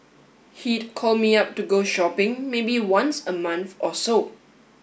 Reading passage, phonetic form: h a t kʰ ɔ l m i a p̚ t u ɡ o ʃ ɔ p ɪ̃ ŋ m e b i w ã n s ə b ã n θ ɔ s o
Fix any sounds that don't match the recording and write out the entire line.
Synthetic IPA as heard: h i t kʰ ɔ l m i a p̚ t u ɡ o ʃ ɔ p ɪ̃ ŋ m e b i w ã n s ə m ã n θ ɔ s o

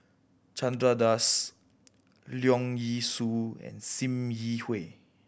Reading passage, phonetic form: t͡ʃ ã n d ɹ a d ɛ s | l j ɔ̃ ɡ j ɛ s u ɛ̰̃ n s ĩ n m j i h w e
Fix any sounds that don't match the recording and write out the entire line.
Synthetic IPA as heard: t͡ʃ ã n d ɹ a d a s | l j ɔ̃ ŋ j i s u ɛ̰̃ n s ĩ m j i h w e

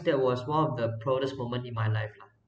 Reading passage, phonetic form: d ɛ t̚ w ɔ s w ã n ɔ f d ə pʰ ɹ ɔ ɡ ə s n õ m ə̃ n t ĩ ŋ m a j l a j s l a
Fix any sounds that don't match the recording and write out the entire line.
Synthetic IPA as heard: d ɛ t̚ w ɔ s w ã n ɔ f d ə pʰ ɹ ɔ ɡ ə s m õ m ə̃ n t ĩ n m a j l a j f l a

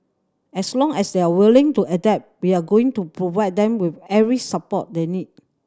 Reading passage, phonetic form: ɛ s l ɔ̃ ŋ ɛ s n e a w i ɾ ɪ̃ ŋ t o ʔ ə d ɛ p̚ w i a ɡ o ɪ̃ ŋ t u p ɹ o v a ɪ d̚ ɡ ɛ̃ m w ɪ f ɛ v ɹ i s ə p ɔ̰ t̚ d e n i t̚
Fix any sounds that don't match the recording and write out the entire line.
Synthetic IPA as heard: ɛ s l ɔ̃ ŋ ɛ s d e a w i l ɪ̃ ŋ t u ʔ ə d ɛ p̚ w i a ɡ o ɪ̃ ŋ t u p ɹ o v a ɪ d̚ d ɛ̃ m w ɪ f ɛ v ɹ i s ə p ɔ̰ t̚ d e n i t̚

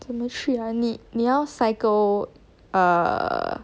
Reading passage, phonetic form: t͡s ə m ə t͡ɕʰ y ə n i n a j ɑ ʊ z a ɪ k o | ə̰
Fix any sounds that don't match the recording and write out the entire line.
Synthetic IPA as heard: t͡s ə m ə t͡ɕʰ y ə n i n i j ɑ ʊ s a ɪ k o | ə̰

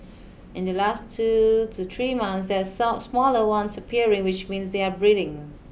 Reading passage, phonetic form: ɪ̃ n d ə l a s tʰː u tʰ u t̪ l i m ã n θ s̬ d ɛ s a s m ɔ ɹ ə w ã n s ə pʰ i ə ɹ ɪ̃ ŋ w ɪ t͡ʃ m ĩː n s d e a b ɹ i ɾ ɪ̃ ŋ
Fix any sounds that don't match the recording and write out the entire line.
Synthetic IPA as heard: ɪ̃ n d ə l a s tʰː u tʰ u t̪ ɹ i m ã n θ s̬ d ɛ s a s m ɔ l ə w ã n s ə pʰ i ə ɹ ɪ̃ ŋ w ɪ t͡ʃ m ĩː n s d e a b ɹ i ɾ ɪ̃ ŋ

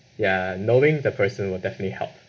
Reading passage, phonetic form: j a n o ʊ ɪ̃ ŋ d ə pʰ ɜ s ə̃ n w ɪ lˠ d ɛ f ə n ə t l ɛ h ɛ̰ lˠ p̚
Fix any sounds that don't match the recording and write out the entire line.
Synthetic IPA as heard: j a n o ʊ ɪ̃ ŋ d ə pʰ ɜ s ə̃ n w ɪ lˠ d ɛ f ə n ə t l i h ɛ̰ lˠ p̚

